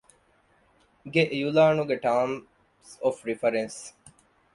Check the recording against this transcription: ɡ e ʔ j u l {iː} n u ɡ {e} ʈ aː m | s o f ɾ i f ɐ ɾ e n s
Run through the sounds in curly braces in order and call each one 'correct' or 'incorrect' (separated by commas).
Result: incorrect, correct